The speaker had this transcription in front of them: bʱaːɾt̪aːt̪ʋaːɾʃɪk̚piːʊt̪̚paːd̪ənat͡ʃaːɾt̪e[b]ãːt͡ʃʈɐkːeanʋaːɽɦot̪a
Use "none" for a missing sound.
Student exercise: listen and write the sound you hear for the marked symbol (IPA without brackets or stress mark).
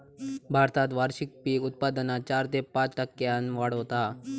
p